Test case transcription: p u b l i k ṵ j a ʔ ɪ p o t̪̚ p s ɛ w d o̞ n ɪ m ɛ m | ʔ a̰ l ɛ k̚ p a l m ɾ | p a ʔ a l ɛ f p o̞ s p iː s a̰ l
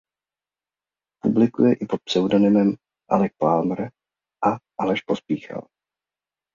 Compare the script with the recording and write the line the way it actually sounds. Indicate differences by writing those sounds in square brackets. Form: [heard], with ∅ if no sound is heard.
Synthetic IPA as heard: p u b l [ɪ] k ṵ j [ɛ] ʔ ɪ p o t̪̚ p s ɛ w d o̞ n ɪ m ɛ m | ʔ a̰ l ɛ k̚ p a l m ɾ | [ʔ] a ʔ a l ɛ [ʃ] p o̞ s p iː [x] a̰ l

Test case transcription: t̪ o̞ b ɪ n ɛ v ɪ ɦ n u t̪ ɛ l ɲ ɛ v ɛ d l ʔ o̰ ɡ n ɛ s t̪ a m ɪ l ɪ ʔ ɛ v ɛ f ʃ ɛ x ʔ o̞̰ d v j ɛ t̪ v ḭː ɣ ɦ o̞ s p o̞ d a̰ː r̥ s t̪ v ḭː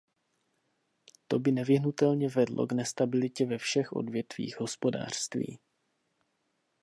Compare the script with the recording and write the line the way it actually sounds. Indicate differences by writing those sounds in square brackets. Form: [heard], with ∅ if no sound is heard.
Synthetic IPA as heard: t̪ o̞ b ɪ n ɛ v ɪ ɦ n u t̪ ɛ l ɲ ɛ v ɛ d l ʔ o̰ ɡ n ɛ s t̪ a [b] ɪ l ɪ [c] ɛ v ɛ f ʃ ɛ x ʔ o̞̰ d v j ɛ t̪ v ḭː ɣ ɦ o̞ s p o̞ d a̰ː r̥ s t̪ v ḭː

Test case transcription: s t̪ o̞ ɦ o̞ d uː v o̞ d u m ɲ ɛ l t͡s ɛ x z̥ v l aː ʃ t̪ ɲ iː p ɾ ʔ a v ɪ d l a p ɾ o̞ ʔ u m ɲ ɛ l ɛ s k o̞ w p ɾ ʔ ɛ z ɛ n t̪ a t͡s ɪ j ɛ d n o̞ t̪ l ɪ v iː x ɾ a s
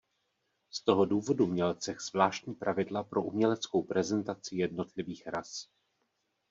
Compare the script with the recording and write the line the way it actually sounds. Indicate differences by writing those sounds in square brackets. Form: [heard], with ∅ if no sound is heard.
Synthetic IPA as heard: s t̪ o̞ ɦ o̞ d uː v o̞ d u m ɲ ɛ l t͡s ɛ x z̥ v l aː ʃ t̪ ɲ iː p ɾ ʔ a v ɪ d l a p ɾ o̞ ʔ u m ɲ ɛ l ɛ [t͡s] k o̞ w p ɾ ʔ ɛ z ɛ n t̪ a t͡s ɪ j ɛ d n o̞ t̪ l ɪ v iː x ɾ a s

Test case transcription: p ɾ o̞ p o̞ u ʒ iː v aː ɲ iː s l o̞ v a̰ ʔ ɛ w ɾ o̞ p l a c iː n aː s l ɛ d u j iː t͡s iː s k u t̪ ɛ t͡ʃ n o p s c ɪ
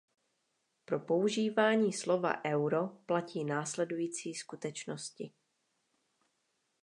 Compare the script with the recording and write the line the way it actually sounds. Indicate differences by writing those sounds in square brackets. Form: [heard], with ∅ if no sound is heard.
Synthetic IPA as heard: p ɾ o̞ p o̞ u ʒ iː v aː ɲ iː s l o̞ v a̰ ʔ ɛ w ɾ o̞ p l a c iː n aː s l ɛ d u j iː t͡s iː s k u t̪ ɛ t͡ʃ n o [∅] s c ɪ

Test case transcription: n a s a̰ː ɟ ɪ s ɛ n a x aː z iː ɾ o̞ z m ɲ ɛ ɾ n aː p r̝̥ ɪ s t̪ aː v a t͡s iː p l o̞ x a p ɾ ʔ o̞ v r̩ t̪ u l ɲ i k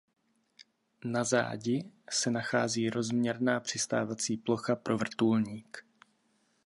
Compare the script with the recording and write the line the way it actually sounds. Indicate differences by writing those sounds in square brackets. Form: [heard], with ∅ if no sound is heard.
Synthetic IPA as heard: n a [z] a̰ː ɟ ɪ s ɛ n a x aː z iː ɾ o̞ z m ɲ ɛ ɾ n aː p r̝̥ ɪ s t̪ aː v a t͡s iː p l o̞ x a p ɾ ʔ o̞ v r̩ t̪ u l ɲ [iː] k

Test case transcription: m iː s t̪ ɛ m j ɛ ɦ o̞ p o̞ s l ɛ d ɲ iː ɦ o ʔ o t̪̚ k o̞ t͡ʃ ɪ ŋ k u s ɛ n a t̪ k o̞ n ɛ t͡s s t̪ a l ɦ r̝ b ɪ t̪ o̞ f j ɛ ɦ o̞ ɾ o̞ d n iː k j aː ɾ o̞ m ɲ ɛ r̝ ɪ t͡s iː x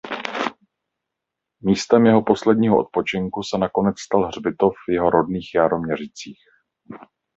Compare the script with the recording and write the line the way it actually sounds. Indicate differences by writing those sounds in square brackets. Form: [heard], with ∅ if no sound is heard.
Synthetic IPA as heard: m iː s t̪ ɛ m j ɛ ɦ o̞ p o̞ s l ɛ d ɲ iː ɦ o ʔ o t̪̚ [p] o̞ t͡ʃ ɪ ŋ k u s ɛ n a [∅] k o̞ n ɛ t͡s s t̪ a l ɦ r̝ b ɪ t̪ o̞ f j ɛ ɦ o̞ ɾ o̞ d n iː [x] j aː ɾ o̞ m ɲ ɛ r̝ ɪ t͡s iː x

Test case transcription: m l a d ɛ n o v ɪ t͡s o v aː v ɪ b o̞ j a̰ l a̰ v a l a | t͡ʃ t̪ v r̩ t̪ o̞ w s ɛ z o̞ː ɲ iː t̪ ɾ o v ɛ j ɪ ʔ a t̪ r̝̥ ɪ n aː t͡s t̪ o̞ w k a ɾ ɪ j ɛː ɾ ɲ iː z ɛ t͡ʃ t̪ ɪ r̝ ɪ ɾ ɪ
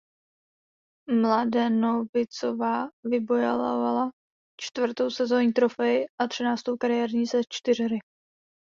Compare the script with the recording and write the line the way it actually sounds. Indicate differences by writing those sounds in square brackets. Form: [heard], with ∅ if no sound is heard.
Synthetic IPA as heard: m l a d ɛ n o v ɪ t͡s o v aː v ɪ b o̞ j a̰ l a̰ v a l a | t͡ʃ t̪ v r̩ t̪ o̞ w s ɛ z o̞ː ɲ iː t̪ ɾ o [f] ɛ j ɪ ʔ a t̪ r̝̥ ɪ n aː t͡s t̪ o̞ w k a ɾ ɪ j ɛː ɾ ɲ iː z ɛ t͡ʃ t̪ ɪ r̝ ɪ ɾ ɪ

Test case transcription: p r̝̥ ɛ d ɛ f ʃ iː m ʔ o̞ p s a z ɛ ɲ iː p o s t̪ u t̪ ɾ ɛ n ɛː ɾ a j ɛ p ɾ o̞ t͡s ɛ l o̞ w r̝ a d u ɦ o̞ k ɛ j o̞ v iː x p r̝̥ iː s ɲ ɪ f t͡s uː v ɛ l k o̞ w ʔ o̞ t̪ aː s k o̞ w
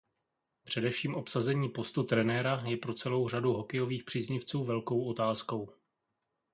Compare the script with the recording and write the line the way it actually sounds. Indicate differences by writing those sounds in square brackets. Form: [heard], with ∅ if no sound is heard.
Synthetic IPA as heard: p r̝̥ ɛ d ɛ f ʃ iː m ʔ o̞ p s a z ɛ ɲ iː p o s t̪ u t̪ ɾ ɛ n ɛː ɾ a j ɛ p ɾ o̞ t͡s ɛ l o̞ w r̝ a d u ɦ o̞ k ɛ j o̞ v iː x p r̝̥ iː [z] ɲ ɪ f t͡s uː v ɛ l k o̞ w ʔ o̞ t̪ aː s k o̞ w

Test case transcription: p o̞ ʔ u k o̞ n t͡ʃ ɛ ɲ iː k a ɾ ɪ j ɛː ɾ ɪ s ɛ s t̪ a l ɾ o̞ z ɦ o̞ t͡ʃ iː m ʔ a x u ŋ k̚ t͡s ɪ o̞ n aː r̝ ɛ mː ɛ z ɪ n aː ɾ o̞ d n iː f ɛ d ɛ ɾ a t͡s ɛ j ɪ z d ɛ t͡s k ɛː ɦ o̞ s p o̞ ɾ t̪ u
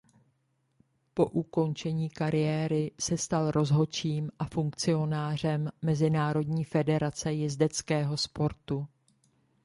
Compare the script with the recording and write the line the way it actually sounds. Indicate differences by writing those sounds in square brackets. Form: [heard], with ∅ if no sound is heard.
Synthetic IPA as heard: p o̞ ʔ u k o̞ n t͡ʃ ɛ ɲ iː k a ɾ ɪ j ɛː ɾ ɪ s ɛ s t̪ a l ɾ o̞ z ɦ o̞ t͡ʃ iː m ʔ a [f] u ŋ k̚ t͡s ɪ o̞ n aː r̝ ɛ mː ɛ z ɪ n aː ɾ o̞ d [ɲ] iː f ɛ d ɛ ɾ a t͡s ɛ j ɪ z d ɛ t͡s k ɛː ɦ o̞ s p o̞ ɾ t̪ u

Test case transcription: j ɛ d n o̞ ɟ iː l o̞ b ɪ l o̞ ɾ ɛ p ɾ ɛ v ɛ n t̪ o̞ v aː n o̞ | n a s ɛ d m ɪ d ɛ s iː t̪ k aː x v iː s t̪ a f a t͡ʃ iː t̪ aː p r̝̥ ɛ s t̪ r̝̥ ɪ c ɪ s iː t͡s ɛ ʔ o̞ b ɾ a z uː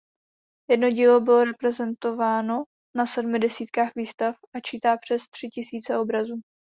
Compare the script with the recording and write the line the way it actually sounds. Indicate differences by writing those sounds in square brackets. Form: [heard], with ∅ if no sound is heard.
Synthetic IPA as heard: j ɛ d n o̞ ɟ iː l o̞ b ɪ l o̞ ɾ ɛ p ɾ ɛ [z] ɛ n t̪ o̞ v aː n o̞ | n a s ɛ d m ɪ d ɛ s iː t̪ k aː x v iː s t̪ a f a t͡ʃ iː t̪ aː p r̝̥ ɛ s t̪ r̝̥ ɪ c ɪ s iː t͡s ɛ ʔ o̞ b ɾ a z uː

